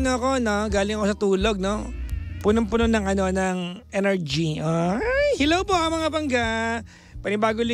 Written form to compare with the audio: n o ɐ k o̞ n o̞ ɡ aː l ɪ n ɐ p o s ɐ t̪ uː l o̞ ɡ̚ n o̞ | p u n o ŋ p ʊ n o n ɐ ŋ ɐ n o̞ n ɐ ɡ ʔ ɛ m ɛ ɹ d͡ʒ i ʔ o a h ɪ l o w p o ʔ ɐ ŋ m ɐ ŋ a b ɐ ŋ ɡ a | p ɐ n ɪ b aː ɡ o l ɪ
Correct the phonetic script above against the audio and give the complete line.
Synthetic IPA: n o ɐ k o̞ n o̞ ɡ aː l ɪ ŋ ɐ k o s ɐ t̪ uː l o̞ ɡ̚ n o̞ | p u n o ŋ p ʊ n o n ɐ ŋ ɐ n o̞ n ɐ ŋ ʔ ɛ n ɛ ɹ d͡ʒ i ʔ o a h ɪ l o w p o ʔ ɐ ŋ m ɐ ŋ a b ɐ ŋ ɡ a | p ɐ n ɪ b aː ɡ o l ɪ